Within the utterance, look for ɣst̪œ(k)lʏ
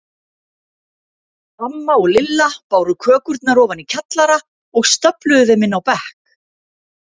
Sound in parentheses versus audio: incorrect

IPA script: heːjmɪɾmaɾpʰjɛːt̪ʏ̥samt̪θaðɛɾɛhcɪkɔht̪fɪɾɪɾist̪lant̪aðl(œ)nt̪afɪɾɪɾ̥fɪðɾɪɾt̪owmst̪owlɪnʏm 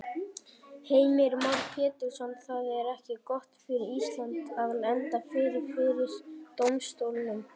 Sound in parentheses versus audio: incorrect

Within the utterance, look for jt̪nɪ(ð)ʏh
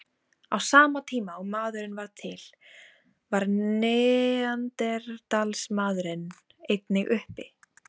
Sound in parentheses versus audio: incorrect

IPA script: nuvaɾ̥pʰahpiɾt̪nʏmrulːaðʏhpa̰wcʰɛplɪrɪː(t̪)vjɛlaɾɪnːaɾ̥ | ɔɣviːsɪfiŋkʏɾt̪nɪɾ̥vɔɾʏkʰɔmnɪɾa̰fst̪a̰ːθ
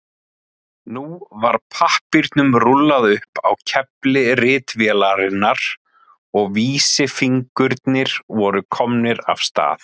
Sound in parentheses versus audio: correct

